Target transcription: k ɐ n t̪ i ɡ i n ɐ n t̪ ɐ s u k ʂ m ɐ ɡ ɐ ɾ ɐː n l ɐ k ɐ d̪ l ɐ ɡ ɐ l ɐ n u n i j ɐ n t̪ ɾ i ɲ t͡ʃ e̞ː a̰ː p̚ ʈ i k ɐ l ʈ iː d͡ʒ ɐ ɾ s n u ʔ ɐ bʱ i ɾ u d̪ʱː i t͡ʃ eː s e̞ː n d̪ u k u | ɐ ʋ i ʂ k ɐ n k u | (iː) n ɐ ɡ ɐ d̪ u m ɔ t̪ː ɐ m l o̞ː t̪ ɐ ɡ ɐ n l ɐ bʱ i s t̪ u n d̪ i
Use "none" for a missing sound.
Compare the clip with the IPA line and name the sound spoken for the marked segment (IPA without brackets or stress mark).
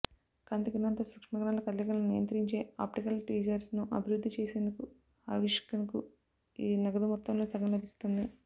iː